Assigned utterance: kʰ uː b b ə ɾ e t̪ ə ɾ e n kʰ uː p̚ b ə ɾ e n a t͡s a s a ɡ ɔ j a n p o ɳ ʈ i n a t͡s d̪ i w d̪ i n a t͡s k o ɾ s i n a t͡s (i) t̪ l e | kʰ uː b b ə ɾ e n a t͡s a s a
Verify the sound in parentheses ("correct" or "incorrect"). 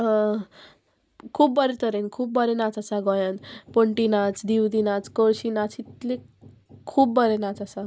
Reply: correct